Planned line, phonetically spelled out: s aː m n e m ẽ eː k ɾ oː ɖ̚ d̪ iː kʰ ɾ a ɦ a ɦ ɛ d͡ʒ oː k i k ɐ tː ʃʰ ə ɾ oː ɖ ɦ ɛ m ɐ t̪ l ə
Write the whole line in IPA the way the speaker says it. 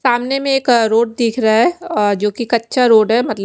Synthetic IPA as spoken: s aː m n e m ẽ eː k ɾ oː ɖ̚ d̪ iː kʰ ɾ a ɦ a ɦ ɛ d͡ʒ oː k i k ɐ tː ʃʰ a ɾ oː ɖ ɦ ɛ m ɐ t̪ l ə